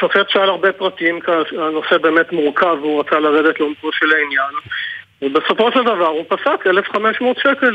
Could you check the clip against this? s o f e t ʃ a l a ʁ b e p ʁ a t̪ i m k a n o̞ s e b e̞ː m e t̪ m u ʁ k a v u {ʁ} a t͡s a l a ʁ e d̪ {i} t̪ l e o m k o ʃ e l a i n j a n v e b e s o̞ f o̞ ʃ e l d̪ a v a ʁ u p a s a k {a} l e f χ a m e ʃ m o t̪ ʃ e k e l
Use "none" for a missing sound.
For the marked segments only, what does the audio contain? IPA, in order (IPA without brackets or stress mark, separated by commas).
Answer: ʁ, e, e